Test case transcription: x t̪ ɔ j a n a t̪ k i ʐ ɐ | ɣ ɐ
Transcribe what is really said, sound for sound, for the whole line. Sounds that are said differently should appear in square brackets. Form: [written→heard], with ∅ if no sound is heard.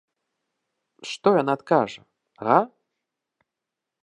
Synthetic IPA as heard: [x→ʂ] t̪ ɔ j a n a t̪ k [i→a] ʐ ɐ | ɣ [ɐ→a]

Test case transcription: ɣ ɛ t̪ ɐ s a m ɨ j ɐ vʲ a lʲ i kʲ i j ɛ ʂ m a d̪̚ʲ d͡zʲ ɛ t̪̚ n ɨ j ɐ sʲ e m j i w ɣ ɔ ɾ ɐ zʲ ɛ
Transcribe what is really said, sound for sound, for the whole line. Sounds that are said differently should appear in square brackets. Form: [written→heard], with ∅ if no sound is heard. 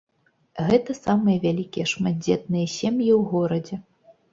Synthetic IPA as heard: ɣ ɛ t̪ ɐ s a m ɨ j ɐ vʲ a lʲ i kʲ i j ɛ ʂ m a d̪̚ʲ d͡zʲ ɛ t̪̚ n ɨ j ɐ sʲ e m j i w ɣ ɔ ɾ ɐ [zʲ→d͡zʲ] ɛ

